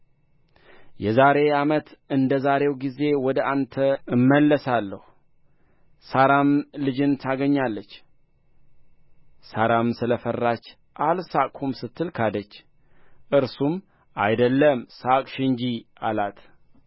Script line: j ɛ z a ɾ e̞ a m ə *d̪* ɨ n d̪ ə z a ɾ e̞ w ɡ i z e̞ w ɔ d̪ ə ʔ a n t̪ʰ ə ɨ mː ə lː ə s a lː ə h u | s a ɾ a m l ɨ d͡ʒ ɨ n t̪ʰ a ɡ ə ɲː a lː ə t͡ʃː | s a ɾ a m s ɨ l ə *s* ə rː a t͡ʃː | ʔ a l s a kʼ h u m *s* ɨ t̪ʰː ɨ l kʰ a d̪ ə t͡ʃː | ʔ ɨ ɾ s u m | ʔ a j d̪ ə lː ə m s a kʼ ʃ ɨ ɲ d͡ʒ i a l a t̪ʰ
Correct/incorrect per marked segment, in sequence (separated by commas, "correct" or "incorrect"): incorrect, incorrect, correct